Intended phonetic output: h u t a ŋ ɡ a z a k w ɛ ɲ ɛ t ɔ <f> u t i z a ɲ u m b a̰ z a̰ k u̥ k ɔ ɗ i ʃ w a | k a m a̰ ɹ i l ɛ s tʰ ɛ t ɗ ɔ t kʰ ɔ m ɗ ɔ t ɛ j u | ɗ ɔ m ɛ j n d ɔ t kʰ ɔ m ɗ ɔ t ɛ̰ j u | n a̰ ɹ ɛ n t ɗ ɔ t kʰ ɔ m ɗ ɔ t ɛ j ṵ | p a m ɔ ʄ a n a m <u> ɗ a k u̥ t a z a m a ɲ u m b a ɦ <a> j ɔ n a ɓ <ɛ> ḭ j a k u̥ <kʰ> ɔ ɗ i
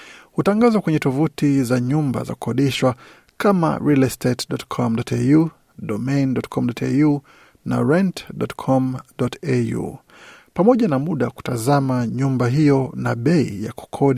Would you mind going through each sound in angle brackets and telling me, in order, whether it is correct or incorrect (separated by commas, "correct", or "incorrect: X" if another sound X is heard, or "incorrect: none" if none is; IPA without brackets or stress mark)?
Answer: incorrect: v, correct, incorrect: i, correct, correct